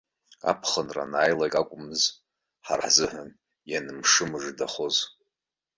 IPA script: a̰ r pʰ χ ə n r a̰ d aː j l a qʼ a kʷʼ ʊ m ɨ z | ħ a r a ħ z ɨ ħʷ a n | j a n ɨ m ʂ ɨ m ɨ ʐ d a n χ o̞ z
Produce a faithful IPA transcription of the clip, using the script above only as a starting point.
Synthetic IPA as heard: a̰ pʰ χ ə n r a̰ n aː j l a kʼ a kʷʼ ʊ m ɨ z | ħ a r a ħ z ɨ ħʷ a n | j a n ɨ m ʂ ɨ m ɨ ʐ d a χ o̞ z